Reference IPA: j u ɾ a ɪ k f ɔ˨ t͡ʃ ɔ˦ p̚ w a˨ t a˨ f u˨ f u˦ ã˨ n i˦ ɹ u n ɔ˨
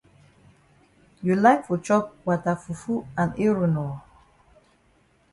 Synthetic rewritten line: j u l a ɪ k f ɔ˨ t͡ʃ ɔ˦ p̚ w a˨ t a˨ f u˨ f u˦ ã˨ n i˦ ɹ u n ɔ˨